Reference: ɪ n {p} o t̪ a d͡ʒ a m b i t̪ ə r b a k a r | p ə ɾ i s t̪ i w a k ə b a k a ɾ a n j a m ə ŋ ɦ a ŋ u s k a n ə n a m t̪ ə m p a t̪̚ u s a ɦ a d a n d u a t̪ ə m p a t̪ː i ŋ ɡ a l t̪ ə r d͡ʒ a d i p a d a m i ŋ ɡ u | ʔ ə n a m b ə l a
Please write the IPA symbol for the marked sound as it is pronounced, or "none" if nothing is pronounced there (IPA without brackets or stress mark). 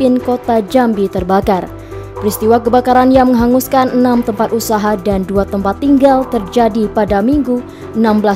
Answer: k